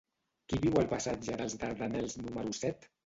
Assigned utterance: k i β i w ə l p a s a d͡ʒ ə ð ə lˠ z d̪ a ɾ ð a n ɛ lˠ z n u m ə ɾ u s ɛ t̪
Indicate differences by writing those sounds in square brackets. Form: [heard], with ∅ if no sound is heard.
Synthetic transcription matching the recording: k i β i w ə l p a s a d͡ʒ ə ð ə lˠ z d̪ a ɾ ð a n ɛ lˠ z n u m ə ɾ u s ɛ t̪